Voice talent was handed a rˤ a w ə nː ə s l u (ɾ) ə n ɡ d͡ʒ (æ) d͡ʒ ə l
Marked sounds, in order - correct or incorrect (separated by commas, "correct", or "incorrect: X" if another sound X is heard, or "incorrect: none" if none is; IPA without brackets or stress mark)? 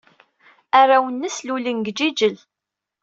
incorrect: l, incorrect: i